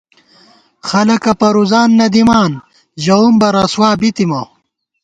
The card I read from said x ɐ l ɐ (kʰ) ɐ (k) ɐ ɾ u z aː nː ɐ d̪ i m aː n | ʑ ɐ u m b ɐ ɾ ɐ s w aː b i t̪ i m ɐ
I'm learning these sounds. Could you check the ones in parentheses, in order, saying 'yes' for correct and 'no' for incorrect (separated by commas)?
no, no